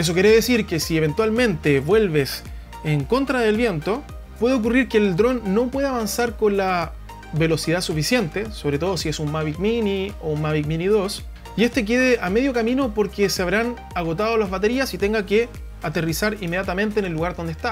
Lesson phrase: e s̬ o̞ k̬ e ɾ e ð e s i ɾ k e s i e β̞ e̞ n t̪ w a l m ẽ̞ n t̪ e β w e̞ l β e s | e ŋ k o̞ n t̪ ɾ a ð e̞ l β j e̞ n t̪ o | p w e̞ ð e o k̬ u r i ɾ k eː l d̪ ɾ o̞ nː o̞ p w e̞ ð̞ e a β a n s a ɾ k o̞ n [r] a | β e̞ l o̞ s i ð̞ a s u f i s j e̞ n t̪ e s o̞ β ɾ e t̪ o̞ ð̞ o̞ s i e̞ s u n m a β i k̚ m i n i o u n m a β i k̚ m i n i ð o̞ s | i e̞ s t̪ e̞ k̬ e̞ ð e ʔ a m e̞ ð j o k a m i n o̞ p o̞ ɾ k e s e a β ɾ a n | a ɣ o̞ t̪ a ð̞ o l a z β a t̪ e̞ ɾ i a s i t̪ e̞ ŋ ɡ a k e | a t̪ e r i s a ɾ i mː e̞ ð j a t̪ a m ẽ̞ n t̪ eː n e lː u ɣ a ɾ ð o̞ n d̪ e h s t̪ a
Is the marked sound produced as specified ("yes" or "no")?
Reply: no